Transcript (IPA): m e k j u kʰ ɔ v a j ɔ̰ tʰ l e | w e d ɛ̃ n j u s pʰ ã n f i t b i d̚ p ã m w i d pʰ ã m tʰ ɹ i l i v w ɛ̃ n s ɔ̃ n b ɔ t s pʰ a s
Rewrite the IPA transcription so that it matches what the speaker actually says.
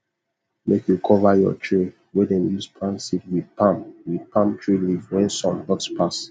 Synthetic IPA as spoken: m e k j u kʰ ɔ v a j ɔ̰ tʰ ɹ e | w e d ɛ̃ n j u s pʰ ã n s i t w i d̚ p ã m w i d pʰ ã m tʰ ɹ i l i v w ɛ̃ n s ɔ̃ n ɡ ɔ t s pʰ a s